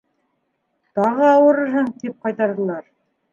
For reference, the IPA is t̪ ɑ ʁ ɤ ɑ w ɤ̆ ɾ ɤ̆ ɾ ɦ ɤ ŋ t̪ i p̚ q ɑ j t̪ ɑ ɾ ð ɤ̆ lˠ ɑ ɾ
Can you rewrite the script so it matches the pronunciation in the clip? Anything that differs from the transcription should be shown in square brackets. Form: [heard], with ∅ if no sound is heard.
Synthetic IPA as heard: t̪ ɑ ʁ ɤ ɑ w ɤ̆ ɾ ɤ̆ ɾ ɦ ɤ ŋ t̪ i p̚ q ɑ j t̪ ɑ ɾ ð ɤ̆ lˠ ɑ ɾ